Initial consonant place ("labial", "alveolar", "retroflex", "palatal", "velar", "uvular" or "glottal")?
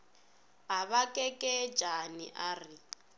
glottal